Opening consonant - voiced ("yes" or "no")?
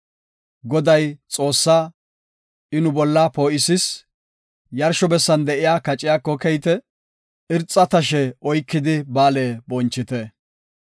yes